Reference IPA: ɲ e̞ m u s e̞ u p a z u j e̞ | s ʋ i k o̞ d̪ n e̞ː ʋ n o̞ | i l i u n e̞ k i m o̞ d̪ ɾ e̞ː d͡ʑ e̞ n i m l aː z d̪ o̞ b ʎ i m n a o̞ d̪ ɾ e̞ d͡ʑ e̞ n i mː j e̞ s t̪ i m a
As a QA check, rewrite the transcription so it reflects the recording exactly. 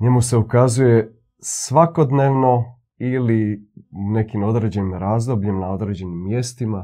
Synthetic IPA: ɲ e̞ m u s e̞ u k a z u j e̞ | s ʋ a k o̞ d̪ n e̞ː ʋ n o̞ | i l i u n e̞ k i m o̞ d̪ ɾ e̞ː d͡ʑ e̞ n i m ɾ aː z d̪ o̞ b ʎ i m n a o̞ d̪ ɾ e̞ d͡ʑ e̞ n i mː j e̞ s t̪ i m a